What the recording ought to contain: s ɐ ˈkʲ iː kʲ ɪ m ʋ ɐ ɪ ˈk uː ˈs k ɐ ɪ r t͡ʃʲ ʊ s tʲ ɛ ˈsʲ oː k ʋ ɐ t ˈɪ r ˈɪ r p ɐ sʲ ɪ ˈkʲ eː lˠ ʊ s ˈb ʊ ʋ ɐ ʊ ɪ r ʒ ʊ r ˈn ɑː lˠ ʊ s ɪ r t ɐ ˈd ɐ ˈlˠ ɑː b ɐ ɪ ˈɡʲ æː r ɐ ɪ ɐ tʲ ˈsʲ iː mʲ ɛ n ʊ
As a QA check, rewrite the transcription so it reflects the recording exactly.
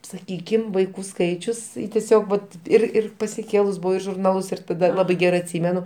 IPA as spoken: s ɐ ˈkʲ iː kʲ ɪ m ʋ ɐ ɪ ˈk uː ˈs k ɐ ɪ t͡ʃʲ ʊ s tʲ ɛ ˈsʲ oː k ʋ ɐ t ˈɪ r ˈɪ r p ɐ sʲ ɪ ˈkʲ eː lˠ ʊ s ˈb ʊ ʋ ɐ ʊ ɪ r ʒ ʊ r ˈn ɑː lˠ ʊ s ɪ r t ɐ ˈd ɐ ˈlˠ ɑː b ɐ ɪ ˈɡʲ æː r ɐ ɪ ɐ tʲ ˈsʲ iː mʲ ɛ n ʊ